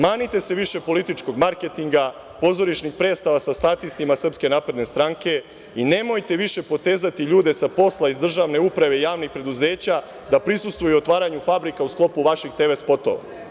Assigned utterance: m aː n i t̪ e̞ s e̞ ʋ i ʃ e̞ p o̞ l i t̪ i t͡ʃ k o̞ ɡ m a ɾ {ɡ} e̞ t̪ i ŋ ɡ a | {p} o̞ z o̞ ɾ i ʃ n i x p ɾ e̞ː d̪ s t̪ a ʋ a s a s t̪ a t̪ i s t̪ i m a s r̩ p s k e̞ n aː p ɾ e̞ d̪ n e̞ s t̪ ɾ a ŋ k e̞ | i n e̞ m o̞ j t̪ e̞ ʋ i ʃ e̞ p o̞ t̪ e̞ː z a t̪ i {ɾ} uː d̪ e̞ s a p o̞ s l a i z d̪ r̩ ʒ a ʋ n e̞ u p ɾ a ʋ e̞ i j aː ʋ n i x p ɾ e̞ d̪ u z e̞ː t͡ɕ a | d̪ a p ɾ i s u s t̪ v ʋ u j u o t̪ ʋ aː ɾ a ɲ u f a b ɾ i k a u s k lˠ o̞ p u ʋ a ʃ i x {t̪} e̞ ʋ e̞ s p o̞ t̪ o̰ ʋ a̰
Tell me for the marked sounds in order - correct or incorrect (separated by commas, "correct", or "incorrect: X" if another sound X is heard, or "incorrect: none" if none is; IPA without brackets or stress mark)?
incorrect: k, correct, incorrect: ʎ, correct